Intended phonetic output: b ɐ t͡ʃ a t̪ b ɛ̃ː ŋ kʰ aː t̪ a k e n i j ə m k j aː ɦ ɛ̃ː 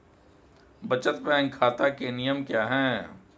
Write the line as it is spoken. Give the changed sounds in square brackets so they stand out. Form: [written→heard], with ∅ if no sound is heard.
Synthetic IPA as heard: b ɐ t͡ʃ [a→ə] t̪ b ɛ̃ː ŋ kʰ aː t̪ a k e n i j ə m k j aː ɦ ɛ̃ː